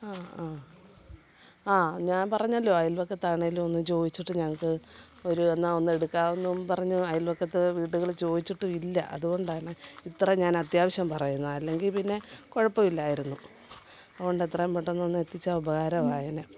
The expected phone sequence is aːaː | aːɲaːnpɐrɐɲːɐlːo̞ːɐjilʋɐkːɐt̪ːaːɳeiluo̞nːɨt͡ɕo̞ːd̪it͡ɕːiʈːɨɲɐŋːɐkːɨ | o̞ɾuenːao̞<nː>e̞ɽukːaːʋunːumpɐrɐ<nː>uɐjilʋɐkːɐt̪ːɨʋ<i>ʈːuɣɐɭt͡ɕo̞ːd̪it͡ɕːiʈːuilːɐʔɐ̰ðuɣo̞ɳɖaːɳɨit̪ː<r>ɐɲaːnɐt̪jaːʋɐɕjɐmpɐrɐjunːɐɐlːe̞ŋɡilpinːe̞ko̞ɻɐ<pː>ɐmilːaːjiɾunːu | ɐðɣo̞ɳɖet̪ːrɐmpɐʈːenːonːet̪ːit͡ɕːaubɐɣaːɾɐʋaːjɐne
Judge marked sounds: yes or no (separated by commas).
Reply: yes, no, no, yes, yes